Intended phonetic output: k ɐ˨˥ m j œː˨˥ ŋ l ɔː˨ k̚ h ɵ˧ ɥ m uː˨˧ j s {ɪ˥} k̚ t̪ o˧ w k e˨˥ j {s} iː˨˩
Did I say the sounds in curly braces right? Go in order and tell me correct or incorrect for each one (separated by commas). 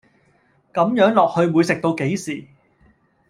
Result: incorrect, correct